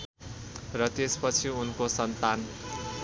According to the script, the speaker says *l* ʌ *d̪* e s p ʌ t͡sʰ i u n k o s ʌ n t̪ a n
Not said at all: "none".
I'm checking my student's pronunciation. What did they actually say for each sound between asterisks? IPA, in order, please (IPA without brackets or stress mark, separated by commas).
r, t̪